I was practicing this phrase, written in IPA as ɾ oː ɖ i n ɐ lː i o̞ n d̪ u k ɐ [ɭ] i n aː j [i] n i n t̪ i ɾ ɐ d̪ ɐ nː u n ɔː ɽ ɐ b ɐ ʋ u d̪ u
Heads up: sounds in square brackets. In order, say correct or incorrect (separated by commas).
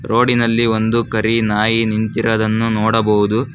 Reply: incorrect, correct